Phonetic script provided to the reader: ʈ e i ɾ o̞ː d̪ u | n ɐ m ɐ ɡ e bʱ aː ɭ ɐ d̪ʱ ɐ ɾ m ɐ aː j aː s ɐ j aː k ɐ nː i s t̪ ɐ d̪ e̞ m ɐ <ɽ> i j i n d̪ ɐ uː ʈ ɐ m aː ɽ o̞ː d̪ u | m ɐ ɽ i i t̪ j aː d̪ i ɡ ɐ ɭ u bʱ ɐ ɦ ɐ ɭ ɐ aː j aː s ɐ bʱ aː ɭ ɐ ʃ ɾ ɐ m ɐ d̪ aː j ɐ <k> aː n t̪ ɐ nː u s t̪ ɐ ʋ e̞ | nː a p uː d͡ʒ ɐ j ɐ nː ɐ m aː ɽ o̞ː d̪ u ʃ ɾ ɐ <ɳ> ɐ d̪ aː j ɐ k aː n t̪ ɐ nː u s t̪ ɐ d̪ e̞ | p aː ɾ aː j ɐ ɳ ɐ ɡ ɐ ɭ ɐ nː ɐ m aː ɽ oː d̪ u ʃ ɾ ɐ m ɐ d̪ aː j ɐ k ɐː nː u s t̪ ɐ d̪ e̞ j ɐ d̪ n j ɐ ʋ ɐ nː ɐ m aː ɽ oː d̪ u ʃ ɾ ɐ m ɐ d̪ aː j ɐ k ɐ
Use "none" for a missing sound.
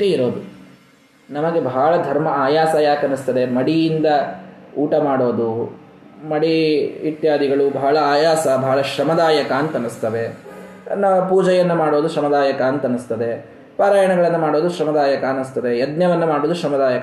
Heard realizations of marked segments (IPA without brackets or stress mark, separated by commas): ɽ, k, m